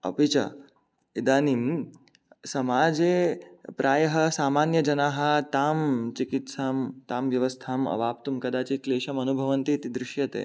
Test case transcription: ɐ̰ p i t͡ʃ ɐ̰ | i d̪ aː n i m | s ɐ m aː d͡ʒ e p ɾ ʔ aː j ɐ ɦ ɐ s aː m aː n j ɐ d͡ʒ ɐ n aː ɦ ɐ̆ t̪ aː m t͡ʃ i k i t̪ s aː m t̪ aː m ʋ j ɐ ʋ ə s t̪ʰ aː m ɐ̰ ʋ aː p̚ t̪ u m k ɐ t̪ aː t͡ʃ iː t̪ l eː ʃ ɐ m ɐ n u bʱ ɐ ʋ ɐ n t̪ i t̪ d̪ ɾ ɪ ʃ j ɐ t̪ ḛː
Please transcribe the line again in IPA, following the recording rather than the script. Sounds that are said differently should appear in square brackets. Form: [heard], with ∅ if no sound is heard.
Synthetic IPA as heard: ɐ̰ p i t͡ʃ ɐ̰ | i d̪ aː n i m | s ɐ m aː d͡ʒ e p ɾ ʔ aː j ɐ ɦ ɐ s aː m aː n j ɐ d͡ʒ ɐ n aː ɦ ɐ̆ t̪ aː m t͡ʃ i k i t̪ s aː m t̪ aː m ʋ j ɐ ʋ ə s t̪ʰ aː m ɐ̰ ʋ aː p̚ t̪ u m k ɐ [d̪] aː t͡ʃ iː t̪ l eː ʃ ɐ m ɐ n u bʱ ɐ ʋ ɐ n t̪ i t̪ d̪ ɾ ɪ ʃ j ɐ t̪ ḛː